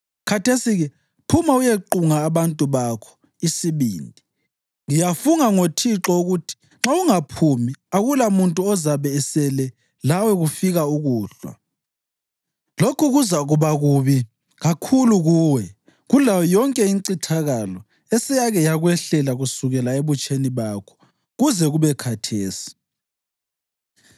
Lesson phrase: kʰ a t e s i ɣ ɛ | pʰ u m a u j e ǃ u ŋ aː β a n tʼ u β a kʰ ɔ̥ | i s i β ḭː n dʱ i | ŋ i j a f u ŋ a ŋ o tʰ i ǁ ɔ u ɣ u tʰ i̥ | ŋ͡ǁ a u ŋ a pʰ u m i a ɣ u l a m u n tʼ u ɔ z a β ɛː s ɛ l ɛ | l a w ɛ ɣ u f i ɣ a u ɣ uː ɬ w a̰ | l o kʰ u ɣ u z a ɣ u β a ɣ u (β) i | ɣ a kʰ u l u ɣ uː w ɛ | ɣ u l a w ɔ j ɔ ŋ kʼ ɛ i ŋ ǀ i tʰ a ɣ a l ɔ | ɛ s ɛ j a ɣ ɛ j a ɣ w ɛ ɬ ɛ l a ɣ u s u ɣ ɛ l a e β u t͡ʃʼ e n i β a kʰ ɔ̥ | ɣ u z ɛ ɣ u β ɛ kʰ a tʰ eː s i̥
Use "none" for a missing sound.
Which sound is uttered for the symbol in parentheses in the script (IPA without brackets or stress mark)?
β